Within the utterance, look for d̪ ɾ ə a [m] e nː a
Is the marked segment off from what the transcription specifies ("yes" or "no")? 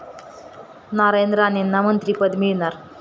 yes